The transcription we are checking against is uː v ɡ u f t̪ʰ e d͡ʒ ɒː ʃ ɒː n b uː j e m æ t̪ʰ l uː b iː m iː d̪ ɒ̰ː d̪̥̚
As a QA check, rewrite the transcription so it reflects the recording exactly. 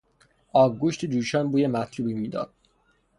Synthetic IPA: ɒː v ɡ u ʃ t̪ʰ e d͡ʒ uː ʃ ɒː n b uː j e m æ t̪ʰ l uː b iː m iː d̪ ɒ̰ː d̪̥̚